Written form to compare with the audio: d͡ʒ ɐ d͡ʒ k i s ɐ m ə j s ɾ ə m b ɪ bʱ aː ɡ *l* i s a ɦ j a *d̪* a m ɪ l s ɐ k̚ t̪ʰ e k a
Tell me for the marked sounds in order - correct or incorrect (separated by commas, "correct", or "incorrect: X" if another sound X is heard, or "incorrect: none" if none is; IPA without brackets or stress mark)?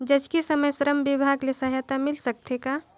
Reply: correct, incorrect: t̪